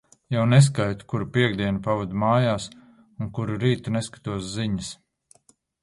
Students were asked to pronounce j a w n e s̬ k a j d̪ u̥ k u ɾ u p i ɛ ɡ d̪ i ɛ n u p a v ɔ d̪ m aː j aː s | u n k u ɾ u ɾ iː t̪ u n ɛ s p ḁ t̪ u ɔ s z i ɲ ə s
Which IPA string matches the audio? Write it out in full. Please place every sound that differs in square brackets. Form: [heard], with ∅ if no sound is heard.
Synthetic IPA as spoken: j a w n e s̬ k a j [t̪] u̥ k u ɾ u p i ɛ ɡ d̪ i ɛ n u p a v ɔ d̪ m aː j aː s | u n k u ɾ u ɾ iː t̪ u n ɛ s [k] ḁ t̪ u ɔ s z i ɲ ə s